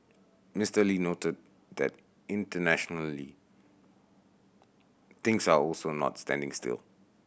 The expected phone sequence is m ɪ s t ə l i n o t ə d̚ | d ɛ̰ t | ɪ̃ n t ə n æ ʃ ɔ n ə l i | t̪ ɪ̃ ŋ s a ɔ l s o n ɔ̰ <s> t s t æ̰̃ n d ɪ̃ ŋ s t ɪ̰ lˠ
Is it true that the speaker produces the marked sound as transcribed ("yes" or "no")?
no